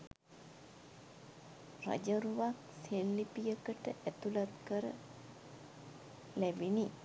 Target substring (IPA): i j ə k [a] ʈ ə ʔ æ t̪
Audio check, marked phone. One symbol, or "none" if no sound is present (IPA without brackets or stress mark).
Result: ə